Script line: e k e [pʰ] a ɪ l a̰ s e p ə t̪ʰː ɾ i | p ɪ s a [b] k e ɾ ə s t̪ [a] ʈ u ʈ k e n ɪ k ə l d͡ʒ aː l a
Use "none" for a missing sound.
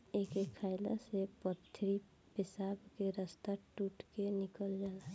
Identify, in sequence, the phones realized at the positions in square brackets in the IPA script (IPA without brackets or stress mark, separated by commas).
kʰ, b, a